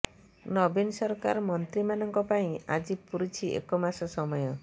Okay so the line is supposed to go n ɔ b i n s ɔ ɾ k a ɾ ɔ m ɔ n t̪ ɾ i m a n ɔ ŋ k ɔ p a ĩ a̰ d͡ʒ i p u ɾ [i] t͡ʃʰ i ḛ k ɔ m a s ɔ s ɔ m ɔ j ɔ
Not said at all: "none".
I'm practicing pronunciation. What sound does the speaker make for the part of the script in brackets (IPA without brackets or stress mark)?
i